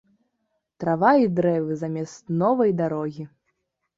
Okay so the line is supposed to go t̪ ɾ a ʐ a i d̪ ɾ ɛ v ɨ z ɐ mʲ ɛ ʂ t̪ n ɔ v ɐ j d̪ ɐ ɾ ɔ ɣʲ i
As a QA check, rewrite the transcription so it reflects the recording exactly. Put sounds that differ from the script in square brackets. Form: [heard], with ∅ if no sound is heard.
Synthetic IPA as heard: t̪ ɾ a [v] a i d̪ ɾ ɛ v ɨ z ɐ mʲ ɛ [s] t̪ n ɔ v ɐ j d̪ [a] ɾ ɔ ɣʲ i